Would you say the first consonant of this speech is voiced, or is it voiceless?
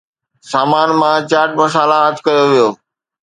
voiceless